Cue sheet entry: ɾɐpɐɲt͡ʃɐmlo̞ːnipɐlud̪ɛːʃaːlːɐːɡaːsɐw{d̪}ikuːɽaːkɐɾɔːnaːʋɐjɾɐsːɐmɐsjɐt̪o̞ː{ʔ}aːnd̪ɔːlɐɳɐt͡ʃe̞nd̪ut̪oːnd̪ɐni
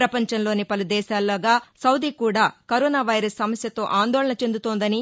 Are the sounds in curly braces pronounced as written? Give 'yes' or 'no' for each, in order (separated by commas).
yes, yes